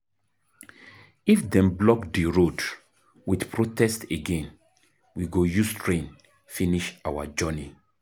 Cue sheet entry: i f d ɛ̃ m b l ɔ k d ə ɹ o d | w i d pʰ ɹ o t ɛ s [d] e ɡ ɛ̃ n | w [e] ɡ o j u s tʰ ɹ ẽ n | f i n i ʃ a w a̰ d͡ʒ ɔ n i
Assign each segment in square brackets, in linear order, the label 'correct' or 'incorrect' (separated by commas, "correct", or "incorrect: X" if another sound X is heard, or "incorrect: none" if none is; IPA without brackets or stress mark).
incorrect: t, incorrect: i